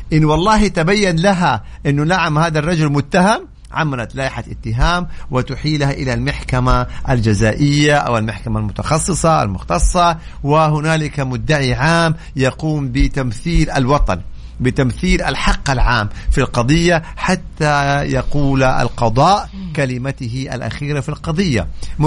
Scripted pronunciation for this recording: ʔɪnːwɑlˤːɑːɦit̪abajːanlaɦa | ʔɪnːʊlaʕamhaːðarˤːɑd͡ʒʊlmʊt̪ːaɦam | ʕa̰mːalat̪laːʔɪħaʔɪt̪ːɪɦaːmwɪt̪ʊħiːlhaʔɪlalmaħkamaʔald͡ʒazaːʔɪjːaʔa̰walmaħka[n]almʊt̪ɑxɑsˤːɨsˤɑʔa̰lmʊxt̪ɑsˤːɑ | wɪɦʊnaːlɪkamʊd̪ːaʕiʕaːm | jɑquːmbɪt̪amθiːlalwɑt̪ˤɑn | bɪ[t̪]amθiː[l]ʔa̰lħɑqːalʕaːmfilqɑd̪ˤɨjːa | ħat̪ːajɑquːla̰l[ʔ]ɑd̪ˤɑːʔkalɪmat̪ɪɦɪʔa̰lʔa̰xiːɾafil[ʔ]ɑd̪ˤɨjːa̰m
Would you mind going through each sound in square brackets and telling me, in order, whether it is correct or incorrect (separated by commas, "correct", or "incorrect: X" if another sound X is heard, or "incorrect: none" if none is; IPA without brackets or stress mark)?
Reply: incorrect: m, correct, correct, incorrect: q, incorrect: q